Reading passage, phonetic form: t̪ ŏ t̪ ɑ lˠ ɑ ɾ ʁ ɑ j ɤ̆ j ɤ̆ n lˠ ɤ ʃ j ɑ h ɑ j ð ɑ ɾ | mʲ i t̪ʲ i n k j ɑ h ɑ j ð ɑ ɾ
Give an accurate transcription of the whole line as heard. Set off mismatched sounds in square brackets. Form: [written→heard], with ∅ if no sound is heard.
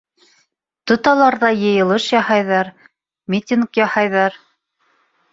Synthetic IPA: t̪ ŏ t̪ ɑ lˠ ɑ ɾ [ʁ→ð] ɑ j ɤ̆ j ɤ̆ [n→∅] lˠ ɤ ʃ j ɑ h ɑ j ð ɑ ɾ | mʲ i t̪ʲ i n k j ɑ h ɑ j ð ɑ ɾ